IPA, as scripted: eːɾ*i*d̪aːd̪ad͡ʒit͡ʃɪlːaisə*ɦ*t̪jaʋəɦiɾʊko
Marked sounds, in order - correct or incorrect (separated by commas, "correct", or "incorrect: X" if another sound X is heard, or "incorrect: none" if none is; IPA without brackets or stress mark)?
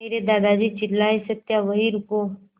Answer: incorrect: e, incorrect: none